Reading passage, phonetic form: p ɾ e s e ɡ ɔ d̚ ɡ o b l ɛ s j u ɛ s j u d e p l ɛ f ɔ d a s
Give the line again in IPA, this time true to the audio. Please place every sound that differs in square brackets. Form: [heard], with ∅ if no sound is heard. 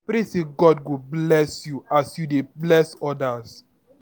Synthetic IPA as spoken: p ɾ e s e ɡ ɔ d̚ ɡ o b l ɛ s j u [a] s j u d e [b] l ɛ [s] ɔ d a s

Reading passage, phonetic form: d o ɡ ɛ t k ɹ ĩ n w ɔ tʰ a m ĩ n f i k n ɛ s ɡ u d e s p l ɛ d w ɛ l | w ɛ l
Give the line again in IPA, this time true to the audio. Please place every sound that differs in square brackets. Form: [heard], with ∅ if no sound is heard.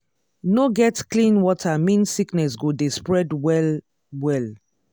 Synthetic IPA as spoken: [n] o ɡ ɛ t k [l] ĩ n w ɔ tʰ a m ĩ n [s] i k n ɛ s ɡ [o] d e s p [ɹ] ɛ d w ɛ l | w ɛ l

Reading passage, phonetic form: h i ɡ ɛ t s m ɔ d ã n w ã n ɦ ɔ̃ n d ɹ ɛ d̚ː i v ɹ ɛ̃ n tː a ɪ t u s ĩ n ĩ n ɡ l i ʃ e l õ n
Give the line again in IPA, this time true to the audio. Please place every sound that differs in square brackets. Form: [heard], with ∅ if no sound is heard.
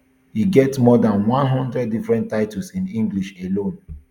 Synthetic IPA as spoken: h i ɡ ɛ t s m ɔ d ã n w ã n ɦ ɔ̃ n d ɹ ɛ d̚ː i [f] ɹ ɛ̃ n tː a ɪ t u s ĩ n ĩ [ŋ] ɡ l i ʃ e l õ n

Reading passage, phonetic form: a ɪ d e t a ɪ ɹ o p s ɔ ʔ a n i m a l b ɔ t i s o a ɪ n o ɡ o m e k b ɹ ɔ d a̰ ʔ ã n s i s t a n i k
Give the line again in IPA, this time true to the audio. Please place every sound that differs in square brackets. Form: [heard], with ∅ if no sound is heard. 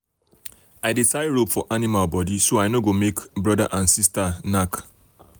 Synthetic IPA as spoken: a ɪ d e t a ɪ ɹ o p [f] ɔ ʔ a n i m a l b ɔ [d] i s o a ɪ n o ɡ o m e k b ɹ ɔ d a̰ ʔ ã n s i s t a n [a] k

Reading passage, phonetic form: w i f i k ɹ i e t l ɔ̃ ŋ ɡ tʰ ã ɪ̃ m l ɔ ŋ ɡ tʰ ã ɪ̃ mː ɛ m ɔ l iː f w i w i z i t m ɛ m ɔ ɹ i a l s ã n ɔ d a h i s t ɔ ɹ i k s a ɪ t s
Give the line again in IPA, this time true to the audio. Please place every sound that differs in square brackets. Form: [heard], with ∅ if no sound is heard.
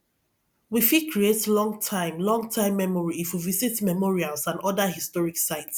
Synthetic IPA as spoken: w i f i k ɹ i e t l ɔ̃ ŋ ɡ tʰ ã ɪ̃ m l [ɔ̃] ŋ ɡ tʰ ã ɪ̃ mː ɛ m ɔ [ɹ] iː f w i [v] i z i t m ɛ m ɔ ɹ i a l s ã n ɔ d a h i s t ɔ ɹ i k s a ɪ t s

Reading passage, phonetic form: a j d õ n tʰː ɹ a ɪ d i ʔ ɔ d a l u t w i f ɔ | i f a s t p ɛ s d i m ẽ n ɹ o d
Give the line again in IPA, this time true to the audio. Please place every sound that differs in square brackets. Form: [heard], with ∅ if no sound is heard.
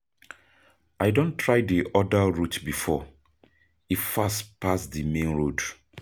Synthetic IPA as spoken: a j d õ n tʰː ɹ a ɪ d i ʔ ɔ d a [ɹ] u t [b] i f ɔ | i f a s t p [a] s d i m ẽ n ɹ o d

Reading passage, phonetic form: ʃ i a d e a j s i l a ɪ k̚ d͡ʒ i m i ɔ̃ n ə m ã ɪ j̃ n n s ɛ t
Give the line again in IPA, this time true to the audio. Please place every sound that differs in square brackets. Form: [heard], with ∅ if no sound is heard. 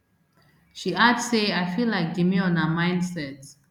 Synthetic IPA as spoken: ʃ i a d e a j [f] i l a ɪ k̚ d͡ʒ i m i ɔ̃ n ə m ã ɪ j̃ n [d] s ɛ t

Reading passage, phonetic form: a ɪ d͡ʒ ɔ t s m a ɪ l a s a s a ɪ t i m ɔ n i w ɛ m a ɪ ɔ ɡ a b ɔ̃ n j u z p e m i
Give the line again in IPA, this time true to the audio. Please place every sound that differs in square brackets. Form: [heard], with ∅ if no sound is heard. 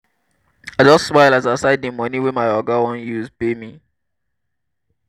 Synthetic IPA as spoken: a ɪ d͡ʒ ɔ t s m a ɪ l a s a s a ɪ [d] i m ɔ n i w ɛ m a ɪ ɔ ɡ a [w] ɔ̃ n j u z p e m i

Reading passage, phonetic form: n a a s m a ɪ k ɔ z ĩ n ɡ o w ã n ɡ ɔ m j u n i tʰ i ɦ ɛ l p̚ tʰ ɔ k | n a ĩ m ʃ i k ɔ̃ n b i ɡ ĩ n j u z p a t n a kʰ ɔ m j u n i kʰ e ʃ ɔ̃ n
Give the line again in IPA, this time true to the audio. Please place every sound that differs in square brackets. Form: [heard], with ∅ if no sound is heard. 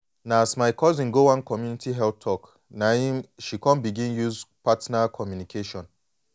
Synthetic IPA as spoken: n a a s m a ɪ k ɔ z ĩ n ɡ o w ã n [k] ɔ m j u n i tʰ i ɦ ɛ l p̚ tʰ ɔ k | n a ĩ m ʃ i k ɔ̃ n b i ɡ ĩ n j u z p a t n a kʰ ɔ m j u n i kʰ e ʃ ɔ̃ n

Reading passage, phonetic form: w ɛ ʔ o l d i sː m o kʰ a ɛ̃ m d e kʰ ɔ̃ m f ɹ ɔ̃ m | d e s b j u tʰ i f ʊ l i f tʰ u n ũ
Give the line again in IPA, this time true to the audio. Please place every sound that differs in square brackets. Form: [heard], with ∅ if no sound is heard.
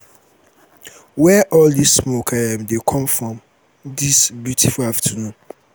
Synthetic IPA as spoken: w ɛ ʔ [ɔ] l d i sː m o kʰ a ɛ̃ m d e kʰ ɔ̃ m f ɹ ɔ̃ m | d [i] s b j u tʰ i f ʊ l [a] f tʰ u n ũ

